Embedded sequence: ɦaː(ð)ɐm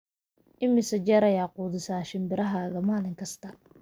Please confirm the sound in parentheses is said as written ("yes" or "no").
no